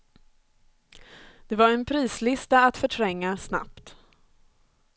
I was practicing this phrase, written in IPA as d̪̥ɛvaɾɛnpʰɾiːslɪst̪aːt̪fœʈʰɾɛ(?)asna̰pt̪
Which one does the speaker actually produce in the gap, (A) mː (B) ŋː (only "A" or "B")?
B